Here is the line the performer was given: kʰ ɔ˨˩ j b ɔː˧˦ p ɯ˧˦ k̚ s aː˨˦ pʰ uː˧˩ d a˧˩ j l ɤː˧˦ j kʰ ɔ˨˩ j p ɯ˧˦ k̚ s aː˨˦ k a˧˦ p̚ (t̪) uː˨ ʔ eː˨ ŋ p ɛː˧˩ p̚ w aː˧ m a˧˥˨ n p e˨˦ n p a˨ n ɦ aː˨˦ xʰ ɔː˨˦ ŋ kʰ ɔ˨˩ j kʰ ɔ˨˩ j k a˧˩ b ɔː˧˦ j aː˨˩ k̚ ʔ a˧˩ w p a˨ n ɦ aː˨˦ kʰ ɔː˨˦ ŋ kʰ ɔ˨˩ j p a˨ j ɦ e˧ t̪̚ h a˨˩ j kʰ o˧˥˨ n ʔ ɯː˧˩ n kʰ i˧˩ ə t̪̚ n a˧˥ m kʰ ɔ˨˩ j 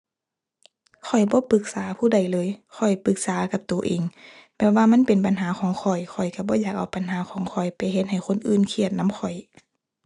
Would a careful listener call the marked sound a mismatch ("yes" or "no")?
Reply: no